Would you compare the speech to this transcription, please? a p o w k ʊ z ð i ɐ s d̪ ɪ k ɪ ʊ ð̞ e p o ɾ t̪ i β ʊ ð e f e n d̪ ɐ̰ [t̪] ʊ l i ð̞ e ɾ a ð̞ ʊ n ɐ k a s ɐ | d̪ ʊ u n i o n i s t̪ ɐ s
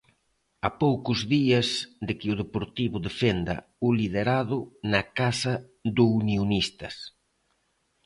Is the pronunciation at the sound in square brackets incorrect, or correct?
incorrect